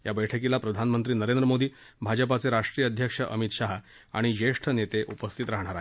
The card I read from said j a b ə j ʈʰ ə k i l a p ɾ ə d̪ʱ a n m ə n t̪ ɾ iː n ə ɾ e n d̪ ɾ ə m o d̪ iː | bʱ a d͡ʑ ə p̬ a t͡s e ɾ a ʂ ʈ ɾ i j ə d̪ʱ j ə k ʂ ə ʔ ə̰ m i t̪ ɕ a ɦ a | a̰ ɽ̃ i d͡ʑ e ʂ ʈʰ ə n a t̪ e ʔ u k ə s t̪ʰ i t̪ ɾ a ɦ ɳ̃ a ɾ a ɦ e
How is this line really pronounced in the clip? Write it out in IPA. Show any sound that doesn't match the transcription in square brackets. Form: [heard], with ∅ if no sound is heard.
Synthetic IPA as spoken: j a b ə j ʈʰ ə k i l a p ɾ ə d̪ʱ a n m ə n t̪ ɾ iː n ə ɾ e n d̪ ɾ ə m o d̪ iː | bʱ a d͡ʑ ə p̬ a t͡s e ɾ a ʂ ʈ ɾ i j ə d̪ʱ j ə k ʂ ə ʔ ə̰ m i t̪ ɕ a ɦ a | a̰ ɽ̃ i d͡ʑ e ʂ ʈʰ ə n [e] t̪ e ʔ u [p] ə s t̪ʰ i t̪ ɾ a ɦ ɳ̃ a ɾ a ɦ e